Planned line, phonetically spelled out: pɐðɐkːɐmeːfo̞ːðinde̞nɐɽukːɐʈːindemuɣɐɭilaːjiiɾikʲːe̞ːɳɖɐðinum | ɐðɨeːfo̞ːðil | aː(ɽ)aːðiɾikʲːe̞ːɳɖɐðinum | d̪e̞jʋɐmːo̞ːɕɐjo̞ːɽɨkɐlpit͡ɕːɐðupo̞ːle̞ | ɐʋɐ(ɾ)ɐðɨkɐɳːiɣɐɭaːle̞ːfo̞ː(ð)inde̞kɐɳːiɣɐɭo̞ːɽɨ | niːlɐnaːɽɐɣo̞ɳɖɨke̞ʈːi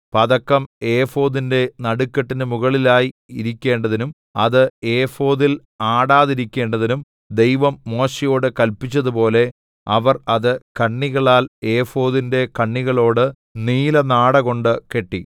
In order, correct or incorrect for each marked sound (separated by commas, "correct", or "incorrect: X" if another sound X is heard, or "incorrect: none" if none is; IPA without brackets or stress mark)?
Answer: correct, incorrect: r, correct